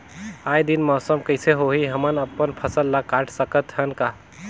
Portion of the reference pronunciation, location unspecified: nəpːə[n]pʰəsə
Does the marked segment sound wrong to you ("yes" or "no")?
no